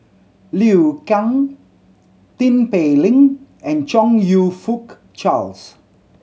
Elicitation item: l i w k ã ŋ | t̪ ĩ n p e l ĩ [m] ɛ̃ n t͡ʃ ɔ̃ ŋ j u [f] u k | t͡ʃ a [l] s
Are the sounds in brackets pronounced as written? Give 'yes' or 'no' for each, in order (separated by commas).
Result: no, yes, yes